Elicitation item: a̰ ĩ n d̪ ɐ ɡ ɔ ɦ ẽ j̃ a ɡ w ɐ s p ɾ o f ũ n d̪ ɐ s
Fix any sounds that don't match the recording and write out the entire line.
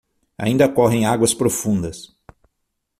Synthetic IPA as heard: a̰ ĩ n d̪ ɐ k ɔ ɦ ẽ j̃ a ɡ w ɐ s p ɾ o f ũ n d̪ ɐ s